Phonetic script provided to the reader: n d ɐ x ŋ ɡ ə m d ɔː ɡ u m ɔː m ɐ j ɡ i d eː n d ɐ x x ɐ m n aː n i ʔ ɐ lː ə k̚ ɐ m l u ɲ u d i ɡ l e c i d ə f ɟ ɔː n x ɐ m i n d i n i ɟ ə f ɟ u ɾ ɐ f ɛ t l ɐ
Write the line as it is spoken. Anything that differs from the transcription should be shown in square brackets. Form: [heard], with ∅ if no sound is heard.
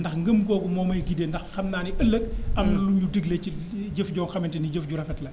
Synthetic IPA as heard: n d ɐ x ŋ ɡ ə m [ɡ] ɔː ɡ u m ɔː m ɐ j ɡ i d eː n d ɐ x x ɐ m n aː n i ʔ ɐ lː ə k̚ ɐ m l u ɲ u d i ɡ l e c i [ɟ] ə f ɟ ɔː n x ɐ m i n [t] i n i ɟ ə f ɟ u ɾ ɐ f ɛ t l ɐ